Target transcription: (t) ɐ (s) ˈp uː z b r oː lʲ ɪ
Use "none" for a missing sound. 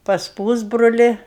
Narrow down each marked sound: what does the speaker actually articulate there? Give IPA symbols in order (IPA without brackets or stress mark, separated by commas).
p, s